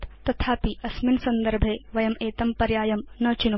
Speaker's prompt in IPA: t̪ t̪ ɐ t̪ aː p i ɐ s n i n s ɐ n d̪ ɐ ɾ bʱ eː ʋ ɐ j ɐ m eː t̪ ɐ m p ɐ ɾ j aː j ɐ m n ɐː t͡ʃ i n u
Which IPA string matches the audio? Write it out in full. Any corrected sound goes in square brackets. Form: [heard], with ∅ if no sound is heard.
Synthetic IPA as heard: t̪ t̪ ɐ [t̪ʰ] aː p i ɐ s [m] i n s ɐ n d̪ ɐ ɾ bʱ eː ʋ ɐ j ɐ m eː t̪ ɐ m p ɐ ɾ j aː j ɐ m n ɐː t͡ʃ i n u